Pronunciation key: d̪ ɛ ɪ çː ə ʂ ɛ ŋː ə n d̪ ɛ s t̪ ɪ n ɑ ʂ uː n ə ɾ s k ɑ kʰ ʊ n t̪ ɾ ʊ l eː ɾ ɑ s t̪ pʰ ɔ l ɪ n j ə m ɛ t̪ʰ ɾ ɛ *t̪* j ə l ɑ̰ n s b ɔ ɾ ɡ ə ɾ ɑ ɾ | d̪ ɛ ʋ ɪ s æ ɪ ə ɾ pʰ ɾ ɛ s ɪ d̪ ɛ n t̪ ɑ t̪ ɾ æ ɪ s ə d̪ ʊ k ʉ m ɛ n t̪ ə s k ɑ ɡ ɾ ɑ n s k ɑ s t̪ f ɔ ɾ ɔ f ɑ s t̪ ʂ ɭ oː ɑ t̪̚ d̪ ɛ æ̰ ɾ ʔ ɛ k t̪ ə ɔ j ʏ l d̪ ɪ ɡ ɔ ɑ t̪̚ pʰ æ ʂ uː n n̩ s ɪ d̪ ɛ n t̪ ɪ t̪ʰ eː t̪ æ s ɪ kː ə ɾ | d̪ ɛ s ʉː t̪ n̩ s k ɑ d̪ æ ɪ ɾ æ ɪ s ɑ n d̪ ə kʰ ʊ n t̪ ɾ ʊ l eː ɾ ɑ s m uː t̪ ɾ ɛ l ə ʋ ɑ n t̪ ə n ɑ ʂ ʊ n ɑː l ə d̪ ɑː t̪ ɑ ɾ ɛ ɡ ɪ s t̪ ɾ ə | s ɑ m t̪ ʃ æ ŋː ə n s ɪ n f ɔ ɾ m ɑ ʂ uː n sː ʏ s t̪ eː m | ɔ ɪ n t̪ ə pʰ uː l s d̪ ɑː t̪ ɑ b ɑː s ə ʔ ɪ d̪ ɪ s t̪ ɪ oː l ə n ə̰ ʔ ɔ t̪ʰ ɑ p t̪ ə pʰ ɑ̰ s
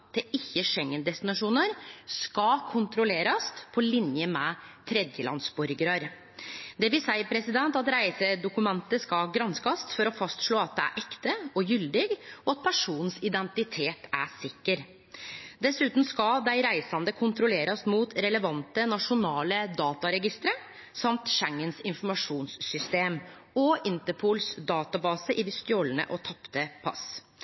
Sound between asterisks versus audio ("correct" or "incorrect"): incorrect